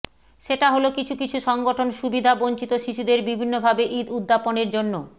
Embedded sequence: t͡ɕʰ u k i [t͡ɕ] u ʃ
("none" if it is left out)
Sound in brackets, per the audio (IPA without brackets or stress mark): t͡ɕʰ